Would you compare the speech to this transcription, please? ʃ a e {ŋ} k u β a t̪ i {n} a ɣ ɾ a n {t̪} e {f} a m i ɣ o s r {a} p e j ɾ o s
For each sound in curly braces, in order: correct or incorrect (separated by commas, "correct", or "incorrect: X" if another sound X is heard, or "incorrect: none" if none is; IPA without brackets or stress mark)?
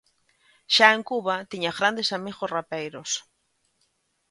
correct, incorrect: ɲ, incorrect: d̪, incorrect: s, correct